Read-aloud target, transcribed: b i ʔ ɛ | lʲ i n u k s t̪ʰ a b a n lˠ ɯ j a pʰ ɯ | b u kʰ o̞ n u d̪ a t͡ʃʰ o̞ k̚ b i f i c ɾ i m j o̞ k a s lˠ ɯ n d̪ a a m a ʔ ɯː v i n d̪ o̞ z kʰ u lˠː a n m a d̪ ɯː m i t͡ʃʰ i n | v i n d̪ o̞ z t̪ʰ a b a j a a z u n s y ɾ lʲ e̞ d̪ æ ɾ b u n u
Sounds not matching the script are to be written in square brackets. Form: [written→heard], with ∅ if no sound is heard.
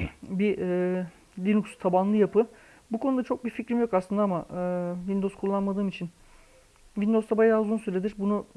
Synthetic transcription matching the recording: b i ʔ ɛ | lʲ i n u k s t̪ʰ a b a n lˠ ɯ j a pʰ ɯ | b u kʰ o̞ n u d̪ a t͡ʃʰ o̞ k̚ b i f i c ɾ i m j o̞ k a s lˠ ɯ n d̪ a a m a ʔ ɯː v i n d̪ o̞ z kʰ u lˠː a n m a d̪ ɯː m i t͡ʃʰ i n | v i n d̪ o̞ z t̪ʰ a b a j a a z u n s y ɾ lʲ e̞ d̪ [æ→i] ɾ b u n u